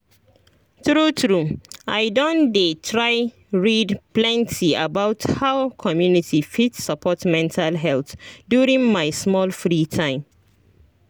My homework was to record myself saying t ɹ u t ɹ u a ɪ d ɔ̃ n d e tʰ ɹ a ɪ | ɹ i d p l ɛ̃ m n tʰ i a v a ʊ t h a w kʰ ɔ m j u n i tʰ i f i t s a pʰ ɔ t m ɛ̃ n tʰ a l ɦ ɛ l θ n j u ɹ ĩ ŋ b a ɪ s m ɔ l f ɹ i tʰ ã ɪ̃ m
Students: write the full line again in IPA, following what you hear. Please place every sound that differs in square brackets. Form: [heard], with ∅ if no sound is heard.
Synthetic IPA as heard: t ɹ u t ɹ u a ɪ d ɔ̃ n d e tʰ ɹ a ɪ | ɹ i d p l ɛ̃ [∅] n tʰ i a [b] a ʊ t h a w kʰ ɔ m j u n i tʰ i f i t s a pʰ ɔ t m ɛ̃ n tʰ a l ɦ ɛ l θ [d] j u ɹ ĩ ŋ [m] a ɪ s m ɔ l f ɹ i tʰ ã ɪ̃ m